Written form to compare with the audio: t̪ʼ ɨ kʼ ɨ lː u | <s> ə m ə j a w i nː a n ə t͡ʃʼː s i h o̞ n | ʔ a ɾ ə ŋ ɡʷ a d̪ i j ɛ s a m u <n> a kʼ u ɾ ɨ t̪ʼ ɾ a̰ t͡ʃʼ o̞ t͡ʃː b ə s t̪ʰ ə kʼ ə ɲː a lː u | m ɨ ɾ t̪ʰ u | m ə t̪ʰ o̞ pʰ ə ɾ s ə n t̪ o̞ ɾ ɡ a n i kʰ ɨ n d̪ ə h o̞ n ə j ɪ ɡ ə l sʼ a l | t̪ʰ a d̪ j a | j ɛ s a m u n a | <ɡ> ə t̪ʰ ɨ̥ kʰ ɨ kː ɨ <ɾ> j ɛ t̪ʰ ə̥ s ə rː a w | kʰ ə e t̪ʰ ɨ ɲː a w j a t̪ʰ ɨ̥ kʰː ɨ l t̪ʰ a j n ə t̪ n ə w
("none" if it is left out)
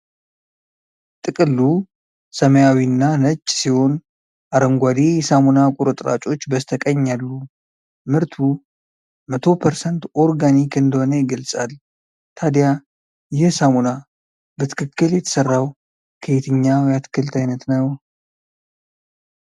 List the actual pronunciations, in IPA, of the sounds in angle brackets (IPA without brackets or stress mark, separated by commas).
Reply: s, n, b, l